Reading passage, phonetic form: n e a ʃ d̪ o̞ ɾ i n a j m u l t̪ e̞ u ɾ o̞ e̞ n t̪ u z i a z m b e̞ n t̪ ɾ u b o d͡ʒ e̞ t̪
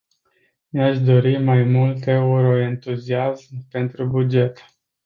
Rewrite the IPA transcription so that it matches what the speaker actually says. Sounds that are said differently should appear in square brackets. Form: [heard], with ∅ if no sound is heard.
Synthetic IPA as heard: n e a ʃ d̪ o̞ ɾ i [m] a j m u l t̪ e̞ u ɾ o̞ e̞ n t̪ u z i a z m [p] e̞ n t̪ ɾ u b [u] d͡ʒ e̞ t̪